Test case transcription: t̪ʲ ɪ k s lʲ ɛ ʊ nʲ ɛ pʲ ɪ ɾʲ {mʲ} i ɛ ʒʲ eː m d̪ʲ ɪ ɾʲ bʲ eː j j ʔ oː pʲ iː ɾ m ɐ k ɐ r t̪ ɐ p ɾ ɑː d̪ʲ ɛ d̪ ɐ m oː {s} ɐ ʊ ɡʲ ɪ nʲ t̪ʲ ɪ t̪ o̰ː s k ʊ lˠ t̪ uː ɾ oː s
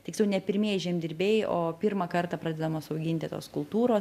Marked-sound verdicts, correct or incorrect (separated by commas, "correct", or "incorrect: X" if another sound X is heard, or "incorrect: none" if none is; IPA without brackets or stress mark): correct, correct